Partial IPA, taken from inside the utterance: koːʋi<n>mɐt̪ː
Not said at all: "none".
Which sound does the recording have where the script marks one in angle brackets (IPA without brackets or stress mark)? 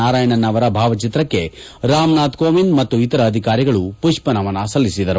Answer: n